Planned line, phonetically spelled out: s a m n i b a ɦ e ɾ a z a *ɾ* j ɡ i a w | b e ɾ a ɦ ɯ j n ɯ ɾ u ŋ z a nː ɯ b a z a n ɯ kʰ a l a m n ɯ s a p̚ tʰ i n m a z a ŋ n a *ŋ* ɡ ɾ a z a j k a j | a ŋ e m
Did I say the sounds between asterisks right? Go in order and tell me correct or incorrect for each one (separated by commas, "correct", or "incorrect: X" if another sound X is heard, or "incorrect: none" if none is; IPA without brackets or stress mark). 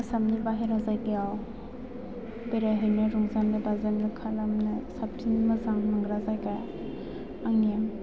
incorrect: none, correct